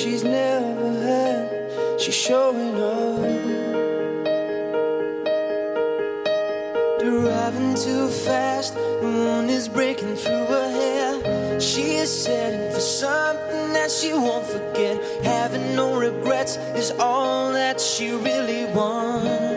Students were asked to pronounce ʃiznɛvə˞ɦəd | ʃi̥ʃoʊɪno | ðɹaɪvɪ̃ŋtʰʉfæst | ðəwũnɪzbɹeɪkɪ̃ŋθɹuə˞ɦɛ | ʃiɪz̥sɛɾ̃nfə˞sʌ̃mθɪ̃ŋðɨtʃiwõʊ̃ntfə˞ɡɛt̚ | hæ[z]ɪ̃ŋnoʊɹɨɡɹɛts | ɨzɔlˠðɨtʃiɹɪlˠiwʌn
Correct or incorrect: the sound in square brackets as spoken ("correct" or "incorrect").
incorrect